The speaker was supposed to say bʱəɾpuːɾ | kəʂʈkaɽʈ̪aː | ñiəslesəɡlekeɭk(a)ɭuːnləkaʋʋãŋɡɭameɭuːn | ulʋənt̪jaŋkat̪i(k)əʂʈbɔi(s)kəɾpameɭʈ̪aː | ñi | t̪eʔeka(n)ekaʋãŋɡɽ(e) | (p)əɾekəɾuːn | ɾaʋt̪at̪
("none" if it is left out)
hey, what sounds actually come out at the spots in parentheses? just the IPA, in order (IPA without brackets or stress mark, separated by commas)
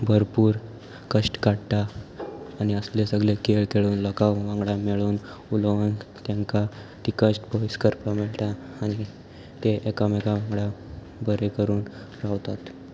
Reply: e, k, s, m, a, b